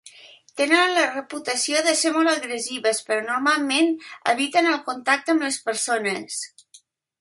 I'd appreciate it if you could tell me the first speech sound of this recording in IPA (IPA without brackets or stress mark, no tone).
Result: t̪